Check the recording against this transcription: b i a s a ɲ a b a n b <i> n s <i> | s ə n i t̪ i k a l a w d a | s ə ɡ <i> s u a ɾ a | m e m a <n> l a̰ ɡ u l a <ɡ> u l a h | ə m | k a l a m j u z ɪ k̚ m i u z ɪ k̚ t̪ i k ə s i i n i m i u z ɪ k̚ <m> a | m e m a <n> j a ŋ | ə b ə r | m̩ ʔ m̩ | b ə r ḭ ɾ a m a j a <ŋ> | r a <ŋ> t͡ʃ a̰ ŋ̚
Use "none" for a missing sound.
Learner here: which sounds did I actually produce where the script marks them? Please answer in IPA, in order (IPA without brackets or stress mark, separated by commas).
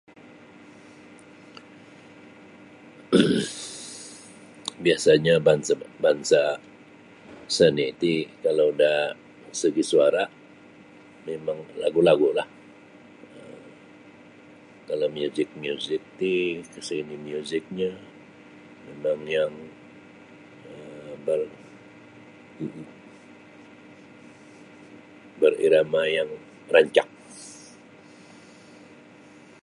a, a, i, ŋ, ɡ, ɲ, ŋ, ŋ, ɲ